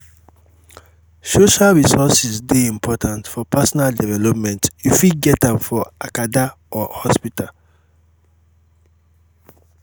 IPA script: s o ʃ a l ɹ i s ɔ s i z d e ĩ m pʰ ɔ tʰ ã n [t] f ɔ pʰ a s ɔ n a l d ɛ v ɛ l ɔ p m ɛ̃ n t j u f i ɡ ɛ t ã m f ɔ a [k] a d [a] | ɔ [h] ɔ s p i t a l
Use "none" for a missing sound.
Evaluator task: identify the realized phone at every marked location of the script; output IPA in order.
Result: t, k, a, h

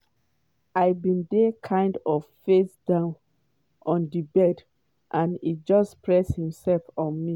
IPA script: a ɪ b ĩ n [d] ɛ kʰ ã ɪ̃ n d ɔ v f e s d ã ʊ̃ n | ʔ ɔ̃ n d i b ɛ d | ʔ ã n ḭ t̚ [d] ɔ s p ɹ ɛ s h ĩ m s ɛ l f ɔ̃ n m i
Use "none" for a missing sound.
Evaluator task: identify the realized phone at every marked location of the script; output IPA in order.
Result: d, d͡ʒ

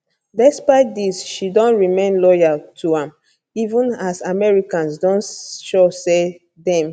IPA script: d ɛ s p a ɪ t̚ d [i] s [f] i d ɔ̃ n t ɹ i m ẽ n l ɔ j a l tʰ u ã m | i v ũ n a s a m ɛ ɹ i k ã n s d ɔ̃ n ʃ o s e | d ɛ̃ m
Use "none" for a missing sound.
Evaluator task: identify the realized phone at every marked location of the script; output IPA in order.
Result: i, ʃ

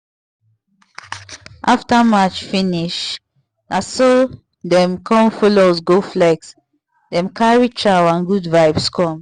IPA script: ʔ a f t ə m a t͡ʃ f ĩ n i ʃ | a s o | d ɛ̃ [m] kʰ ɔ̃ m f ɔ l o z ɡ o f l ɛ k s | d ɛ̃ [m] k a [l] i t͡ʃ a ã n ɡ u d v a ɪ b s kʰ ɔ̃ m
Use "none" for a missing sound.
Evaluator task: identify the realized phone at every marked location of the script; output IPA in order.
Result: m, m, ɹ

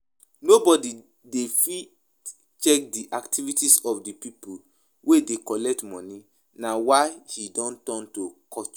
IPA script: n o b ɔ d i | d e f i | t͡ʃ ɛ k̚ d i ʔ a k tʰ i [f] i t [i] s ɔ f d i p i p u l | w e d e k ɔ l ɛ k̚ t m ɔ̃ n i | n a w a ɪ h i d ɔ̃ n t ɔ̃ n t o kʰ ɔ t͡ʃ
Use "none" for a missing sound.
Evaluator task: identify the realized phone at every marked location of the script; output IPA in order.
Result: v, i

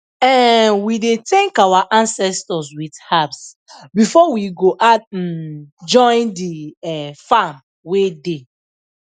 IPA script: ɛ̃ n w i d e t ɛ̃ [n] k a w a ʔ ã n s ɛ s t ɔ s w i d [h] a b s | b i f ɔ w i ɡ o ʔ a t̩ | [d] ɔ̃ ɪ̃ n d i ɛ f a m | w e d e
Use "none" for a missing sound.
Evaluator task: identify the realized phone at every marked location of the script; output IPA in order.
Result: ŋ, h, d͡ʒ

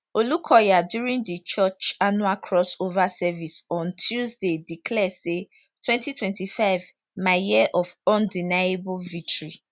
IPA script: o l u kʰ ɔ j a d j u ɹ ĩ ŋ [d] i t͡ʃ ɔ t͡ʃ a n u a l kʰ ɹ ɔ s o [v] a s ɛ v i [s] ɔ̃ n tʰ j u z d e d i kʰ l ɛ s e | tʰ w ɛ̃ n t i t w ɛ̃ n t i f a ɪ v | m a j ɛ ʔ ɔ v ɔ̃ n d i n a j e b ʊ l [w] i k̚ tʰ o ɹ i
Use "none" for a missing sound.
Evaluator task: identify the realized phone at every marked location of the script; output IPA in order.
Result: d, v, s, v

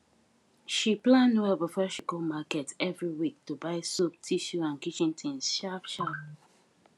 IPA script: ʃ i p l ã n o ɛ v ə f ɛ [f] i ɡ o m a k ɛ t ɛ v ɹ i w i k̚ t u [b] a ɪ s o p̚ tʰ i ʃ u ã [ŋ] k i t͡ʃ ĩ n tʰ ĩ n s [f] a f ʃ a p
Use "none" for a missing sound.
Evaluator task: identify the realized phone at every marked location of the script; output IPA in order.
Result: ʃ, b, n, ʃ

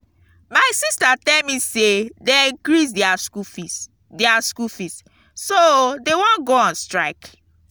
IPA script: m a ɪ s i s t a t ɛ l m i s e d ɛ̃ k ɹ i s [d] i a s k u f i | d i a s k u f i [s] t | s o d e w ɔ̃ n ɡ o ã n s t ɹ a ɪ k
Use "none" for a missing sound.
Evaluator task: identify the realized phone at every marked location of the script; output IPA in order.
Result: d, s

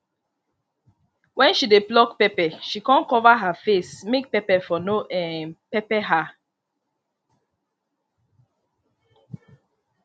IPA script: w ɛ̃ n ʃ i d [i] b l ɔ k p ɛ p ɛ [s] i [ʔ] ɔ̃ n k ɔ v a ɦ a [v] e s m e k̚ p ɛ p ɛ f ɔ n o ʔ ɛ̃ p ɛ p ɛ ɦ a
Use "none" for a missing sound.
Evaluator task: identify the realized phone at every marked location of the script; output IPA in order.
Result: e, ʃ, k, f

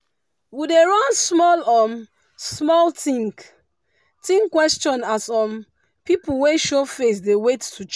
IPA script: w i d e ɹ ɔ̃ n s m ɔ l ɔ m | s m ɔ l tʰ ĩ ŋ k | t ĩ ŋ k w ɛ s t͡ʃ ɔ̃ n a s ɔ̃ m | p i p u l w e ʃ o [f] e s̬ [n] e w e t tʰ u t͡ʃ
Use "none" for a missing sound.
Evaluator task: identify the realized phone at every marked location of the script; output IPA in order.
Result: f, d

